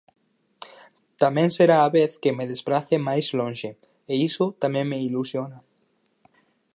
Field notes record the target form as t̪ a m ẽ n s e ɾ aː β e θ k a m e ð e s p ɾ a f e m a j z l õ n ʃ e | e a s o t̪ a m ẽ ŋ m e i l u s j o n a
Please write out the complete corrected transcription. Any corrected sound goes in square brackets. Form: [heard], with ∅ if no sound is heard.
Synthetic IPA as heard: t̪ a m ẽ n s e ɾ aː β e θ k [e] m e ð e s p ɾ a [θ] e m a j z l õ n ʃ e | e [i] s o t̪ a m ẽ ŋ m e i l u s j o n a